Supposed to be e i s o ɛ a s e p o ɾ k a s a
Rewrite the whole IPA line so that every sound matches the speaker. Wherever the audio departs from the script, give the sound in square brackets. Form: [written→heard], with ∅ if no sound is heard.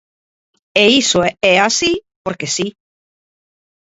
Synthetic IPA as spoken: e i s o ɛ a s [e→i] p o ɾ k [a→e] s [a→i]